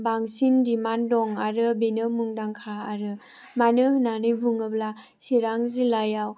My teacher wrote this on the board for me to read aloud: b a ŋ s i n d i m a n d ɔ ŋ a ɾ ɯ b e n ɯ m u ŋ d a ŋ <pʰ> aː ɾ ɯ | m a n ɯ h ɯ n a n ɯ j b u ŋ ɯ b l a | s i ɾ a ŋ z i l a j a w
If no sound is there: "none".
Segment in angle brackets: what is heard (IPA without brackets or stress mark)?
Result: kʰ